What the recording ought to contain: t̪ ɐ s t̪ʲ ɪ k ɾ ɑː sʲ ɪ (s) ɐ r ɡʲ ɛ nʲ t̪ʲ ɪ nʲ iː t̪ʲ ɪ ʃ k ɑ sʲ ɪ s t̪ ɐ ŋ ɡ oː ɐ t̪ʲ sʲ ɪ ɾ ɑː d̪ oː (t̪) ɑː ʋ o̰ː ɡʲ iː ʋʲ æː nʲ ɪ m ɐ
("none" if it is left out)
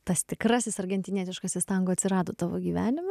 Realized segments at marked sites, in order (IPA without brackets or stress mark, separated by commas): s, t̪